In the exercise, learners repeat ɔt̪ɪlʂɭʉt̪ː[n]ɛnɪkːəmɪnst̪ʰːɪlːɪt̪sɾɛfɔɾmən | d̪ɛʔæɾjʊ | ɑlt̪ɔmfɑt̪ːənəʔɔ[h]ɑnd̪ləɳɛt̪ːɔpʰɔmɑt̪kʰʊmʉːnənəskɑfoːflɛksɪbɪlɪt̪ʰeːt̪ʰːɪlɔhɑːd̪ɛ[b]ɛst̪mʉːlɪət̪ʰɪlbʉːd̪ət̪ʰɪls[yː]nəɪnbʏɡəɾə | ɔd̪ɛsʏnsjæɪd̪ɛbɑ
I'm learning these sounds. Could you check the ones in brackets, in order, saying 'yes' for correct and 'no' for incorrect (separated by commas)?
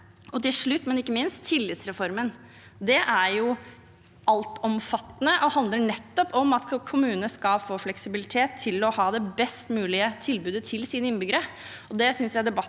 no, yes, yes, no